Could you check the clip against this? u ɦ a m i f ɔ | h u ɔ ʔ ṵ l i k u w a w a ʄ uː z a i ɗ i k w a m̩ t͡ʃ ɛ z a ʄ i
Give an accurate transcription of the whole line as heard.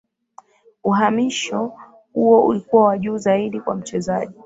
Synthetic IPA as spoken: u ɦ a m i ʃ ɔ | h u ɔ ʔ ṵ l i k u w a w a ʄ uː z a i ɗ i k w a m̩ t͡ʃ ɛ z a ʄ i

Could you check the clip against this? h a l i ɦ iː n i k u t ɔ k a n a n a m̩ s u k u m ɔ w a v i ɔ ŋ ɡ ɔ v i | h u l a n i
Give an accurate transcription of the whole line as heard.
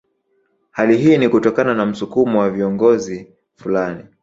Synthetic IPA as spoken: h a l i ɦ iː n i k u t ɔ k a n a n a m̩ s u k u m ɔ w a v i ɔ ŋ ɡ ɔ z i | f u l a n i

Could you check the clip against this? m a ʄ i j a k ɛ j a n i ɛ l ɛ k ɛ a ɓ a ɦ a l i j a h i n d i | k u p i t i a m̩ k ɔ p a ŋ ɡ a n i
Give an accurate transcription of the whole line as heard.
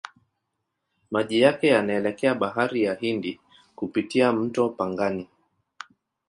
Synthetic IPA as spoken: m a ʄ i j a k ɛ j a n a ɛ l ɛ k ɛ a ɓ a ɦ a ɾ i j a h i n d i | k u p i t i a m̩ t ɔ p a ŋ ɡ a n i

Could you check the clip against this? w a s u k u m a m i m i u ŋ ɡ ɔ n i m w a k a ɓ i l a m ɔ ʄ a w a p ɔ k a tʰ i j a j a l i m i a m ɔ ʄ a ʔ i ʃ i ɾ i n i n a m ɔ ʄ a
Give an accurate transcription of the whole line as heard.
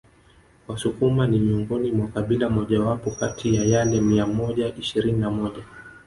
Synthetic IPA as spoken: w a s u k u m a n i m i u ŋ ɡ ɔ n i m w a k a ɓ i l a m ɔ ʄ a w a p ɔ k a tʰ i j a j a l ɛ m i a m ɔ ʄ a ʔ i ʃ i ɾ i n i n a m ɔ ʄ a

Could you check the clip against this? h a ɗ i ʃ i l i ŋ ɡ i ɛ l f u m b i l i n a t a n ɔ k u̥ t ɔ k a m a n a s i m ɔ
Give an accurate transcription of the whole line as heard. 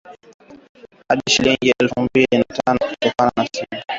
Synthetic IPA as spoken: h a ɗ i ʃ i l i ŋ ɡ i ɛ l f u m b i l i n a t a n ɔ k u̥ t ɔ k a n a n a s i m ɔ

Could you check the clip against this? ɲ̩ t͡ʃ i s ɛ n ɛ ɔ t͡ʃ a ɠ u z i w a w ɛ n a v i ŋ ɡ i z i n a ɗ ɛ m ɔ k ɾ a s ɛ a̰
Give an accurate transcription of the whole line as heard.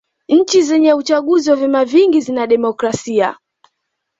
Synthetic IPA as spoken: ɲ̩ t͡ʃ i z ɛ ɲ ɛ u t͡ʃ a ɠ u z i w a v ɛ m a v i ŋ ɡ i z i n a ɗ ɛ m ɔ k ɾ a s i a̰

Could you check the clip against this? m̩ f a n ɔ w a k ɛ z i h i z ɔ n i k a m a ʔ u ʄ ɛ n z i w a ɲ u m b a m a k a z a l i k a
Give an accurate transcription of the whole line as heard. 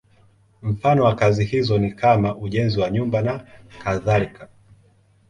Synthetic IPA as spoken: m̩ f a n ɔ w a k a z i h i z ɔ n i k a m a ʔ u ʄ ɛ n z i w a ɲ u m b a n a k a ð a l i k a

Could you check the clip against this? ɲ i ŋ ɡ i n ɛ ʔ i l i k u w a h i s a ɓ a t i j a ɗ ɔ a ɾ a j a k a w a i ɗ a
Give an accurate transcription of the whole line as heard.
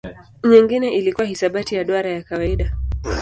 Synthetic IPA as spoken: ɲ i ŋ ɡ i n ɛ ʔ i l i k u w a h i s a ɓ a t i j a ɗ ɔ a ɾ a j a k a w a i ɗ a

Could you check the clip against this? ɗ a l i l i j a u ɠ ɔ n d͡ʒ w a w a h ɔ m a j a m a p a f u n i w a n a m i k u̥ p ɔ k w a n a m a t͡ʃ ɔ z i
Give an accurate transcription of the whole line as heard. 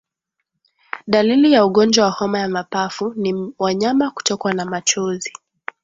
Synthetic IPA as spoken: ɗ a l i l i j a u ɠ ɔ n d͡ʒ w a w a h ɔ m a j a m a p a f u n i w a ɲ a m a k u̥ t ɔ k w a n a m a t͡ʃ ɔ z i

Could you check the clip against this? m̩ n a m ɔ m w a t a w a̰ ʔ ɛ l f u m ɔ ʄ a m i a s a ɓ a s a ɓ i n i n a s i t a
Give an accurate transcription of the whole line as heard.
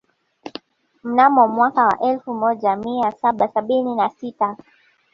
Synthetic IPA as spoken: m̩ n a m ɔ m w a k a w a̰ ʔ ɛ l f u m ɔ ʄ a m i a s a ɓ a s a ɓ i n i n a s i t a

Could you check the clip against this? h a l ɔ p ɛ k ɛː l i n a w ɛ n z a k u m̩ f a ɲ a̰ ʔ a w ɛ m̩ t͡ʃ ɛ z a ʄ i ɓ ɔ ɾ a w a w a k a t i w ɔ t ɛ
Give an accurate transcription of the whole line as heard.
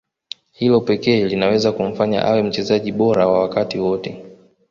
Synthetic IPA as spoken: h i l ɔ p ɛ k ɛː l i n a w ɛ z a k u m̩ f a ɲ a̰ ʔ a w ɛ m̩ t͡ʃ ɛ z a ʄ i ɓ ɔ ɾ a w a w a k a t i w ɔ t ɛ

